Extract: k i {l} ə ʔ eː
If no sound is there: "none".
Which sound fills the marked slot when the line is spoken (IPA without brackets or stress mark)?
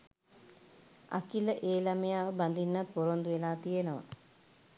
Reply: l